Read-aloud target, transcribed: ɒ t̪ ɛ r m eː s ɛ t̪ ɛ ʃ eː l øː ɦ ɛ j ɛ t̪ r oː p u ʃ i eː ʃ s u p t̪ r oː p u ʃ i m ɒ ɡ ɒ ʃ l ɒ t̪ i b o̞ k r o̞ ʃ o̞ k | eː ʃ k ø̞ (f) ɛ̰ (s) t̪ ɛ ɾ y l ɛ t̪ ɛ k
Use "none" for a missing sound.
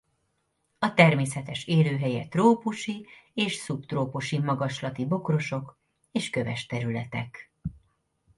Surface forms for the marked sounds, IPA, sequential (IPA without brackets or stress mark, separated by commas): v, ʃ